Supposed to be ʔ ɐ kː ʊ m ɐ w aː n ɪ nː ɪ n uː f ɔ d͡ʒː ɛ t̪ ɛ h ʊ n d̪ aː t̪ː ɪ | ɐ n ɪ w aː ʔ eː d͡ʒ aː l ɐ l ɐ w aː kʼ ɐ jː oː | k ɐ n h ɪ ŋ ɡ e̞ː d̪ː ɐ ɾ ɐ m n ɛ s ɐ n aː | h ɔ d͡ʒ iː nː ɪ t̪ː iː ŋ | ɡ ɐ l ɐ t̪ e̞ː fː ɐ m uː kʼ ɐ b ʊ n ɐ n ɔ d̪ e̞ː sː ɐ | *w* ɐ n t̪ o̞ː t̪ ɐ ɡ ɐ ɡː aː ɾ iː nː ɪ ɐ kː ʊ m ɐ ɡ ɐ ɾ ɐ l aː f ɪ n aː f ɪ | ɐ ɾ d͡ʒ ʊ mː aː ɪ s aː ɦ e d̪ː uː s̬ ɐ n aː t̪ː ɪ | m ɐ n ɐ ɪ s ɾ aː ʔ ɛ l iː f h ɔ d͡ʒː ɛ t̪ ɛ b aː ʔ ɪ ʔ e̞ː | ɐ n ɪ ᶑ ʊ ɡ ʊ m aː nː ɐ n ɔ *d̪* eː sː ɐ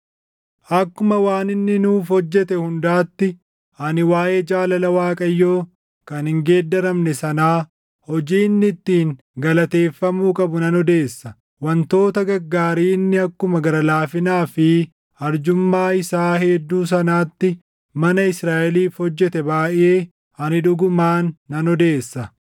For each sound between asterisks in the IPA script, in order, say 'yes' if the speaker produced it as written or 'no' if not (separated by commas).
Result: yes, yes